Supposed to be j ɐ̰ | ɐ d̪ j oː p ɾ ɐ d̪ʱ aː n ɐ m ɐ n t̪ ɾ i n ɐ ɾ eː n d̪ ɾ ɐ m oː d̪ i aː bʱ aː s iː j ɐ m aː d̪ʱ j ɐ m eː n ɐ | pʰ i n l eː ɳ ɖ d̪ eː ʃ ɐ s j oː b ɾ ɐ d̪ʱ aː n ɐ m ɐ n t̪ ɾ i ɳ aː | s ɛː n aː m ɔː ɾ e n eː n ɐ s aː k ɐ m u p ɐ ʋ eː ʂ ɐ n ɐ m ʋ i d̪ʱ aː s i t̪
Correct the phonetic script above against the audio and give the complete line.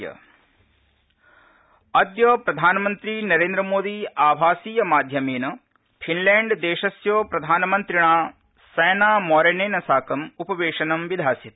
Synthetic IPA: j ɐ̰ | ɐ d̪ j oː p ɾ ɐ d̪ʱ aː n ɐ m ɐ n t̪ ɾ i n ɐ ɾ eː n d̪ ɾ ɐ m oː d̪ i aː bʱ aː s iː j ɐ m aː d̪ʱ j ɐ m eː n ɐ | pʰ i n l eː ɳ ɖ d̪ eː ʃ ɐ s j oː p ɾ ɐ d̪ʱ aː n ɐ m ɐ n t̪ ɾ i ɳ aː | s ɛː n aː m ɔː ɾ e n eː n ɐ s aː k ɐ m u p ɐ ʋ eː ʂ ɐ n ɐ m ʋ i d̪ʱ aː s i t̪

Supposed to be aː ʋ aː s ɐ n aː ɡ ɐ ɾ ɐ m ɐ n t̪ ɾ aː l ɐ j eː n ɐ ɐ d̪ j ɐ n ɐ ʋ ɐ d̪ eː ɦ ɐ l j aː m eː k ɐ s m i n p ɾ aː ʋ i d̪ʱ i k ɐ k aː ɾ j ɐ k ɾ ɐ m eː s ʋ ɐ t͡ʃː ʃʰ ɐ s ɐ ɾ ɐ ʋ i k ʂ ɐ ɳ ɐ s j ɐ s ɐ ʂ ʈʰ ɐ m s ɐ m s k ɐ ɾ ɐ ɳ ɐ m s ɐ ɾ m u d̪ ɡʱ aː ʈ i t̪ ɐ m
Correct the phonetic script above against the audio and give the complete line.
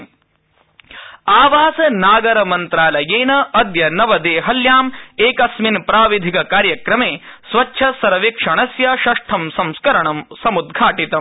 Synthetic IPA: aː ʋ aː s ɐ n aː ɡ ɐ ɾ ɐ m ɐ n t̪ ɾ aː l ɐ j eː n ɐ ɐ d̪ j ɐ n ɐ ʋ ɐ d̪ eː ɦ ɐ l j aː m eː k ɐ s m i n p ɾ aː ʋ i d̪ʱ i k ɐ k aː ɾ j ɐ k ɾ ɐ m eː s ʋ ɐ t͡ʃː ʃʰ ɐ s ɐ ɾ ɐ ʋ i k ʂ ɐ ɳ ɐ s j ɐ ʃ ɐ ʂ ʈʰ ɐ m s ɐ m s k ɐ ɾ ɐ ɳ ɐ m s ɐ m u d̪ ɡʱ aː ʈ i t̪ ɐ m

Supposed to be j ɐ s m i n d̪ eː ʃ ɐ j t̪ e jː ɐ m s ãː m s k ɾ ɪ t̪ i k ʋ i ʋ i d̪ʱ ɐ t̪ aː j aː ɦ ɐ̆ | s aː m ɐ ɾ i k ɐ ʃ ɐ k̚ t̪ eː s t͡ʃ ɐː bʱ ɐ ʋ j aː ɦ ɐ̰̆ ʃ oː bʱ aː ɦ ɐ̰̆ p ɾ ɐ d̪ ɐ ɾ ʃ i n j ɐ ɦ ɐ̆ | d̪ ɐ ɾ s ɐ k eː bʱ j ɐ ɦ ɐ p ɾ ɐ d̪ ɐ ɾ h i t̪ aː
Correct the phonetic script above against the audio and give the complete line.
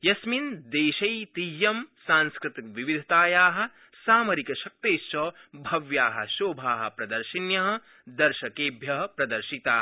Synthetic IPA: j ɐ s m i n d̪ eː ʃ ɐ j t̪ i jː ɐ m s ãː n s k ɾ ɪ t̪ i k ʋ i ʋ i d̪ʱ ɐ t̪ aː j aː ɦ ɐ̆ | s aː m ɐ ɾ i k ɐ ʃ ɐ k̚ t̪ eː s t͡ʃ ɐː bʱ ɐ ʋ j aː ɦ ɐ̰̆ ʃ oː bʱ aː ɦ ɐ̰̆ p ɾ ɐ d̪ ɐ ɾ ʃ i n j ɐ ɦ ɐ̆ | d̪ ɐ ɾ ʃ ɐ k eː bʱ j ɐ ɦ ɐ p ɾ ɐ d̪ ɐ ɾ ʃ i t̪ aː

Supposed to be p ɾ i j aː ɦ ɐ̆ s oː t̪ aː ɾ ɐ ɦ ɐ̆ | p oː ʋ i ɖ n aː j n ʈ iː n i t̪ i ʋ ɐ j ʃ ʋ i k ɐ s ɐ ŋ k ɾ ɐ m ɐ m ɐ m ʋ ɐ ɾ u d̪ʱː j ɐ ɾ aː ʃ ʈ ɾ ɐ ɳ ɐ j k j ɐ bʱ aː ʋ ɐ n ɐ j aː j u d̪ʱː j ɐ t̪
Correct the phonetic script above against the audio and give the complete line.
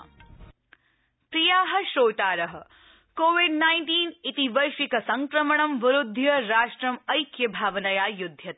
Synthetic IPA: p ɾ i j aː ɦ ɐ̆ ʃ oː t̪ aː ɾ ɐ ɦ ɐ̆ | k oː ʋ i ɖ n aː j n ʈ iː n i t̪ i ʋ ɐ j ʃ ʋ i k ɐ s ɐ ŋ k ɾ ɐ m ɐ ɳ ɐ m ʋ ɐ ɾ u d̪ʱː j ɐ ɾ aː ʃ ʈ ɾ ɐ m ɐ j k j ɐ bʱ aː ʋ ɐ n ɐ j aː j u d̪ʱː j ɐ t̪

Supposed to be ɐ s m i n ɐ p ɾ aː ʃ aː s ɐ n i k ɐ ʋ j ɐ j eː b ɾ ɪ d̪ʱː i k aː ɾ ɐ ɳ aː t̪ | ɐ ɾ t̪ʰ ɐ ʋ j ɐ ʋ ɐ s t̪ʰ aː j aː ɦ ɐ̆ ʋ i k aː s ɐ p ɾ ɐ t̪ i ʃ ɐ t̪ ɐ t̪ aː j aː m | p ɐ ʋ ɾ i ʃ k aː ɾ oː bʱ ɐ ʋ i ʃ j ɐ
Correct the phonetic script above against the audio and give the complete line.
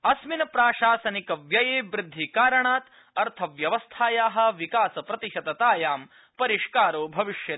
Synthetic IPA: ɐ s m i n ɐ p ɾ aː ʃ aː s ɐ n i k ɐ ʋ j ɐ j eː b ɾ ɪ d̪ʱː i k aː ɾ ɐ ɳ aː t̪ | ɐ ɾ t̪ʰ ɐ ʋ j ɐ ʋ ɐ s t̪ʰ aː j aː ɦ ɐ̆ ʋ i k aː s ɐ p ɾ ɐ t̪ i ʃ ɐ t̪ ɐ t̪ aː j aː m | p ɐ ɾ i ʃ k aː ɾ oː bʱ ɐ ʋ i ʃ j ɐ

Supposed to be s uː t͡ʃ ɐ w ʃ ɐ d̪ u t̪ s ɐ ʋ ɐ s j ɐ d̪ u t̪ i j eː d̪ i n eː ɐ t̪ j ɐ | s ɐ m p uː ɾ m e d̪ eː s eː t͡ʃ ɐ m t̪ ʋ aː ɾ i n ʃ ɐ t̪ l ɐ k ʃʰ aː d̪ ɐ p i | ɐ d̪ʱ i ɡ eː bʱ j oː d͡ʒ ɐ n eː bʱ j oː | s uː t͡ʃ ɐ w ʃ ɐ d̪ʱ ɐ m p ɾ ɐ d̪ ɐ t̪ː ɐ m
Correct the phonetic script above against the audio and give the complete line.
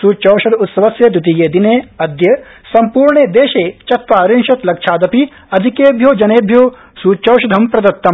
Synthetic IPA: s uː t͡ʃ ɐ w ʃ ɐ d̪ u t̪ s ɐ ʋ ɐ s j ɐ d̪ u t̪ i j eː d̪ i n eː ɐ d̪ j ɐ | s ɐ m p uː ɾ ɳ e d̪ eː ʃ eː t͡ʃ ɐ t̪ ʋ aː ɾ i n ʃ ɐ t̪ l ɐ k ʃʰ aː d̪ ɐ p i | ɐ d̪ʱ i k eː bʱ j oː d͡ʒ ɐ n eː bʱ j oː | s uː t͡ʃ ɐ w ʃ ɐ d̪ʱ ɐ m p ɾ ɐ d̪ ɐ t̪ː ɐ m

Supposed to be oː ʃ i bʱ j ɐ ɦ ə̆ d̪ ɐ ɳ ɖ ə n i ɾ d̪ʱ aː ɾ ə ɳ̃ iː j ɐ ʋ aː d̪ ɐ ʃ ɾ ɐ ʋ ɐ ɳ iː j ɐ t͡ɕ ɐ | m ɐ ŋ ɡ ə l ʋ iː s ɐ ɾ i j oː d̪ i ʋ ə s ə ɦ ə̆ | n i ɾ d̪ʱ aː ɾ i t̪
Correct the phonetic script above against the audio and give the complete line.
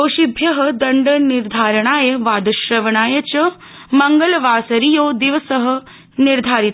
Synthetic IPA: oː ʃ i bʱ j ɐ ɦ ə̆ d̪ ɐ ɳ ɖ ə n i ɾ d̪ʱ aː ɾ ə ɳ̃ aː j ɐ ʋ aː d̪ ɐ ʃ ɾ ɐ ʋ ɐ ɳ aː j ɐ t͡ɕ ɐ | m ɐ ŋ ɡ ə l ʋ aː s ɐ ɾ i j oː d̪ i ʋ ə s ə ɦ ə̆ | n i ɾ d̪ʱ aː ɾ i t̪

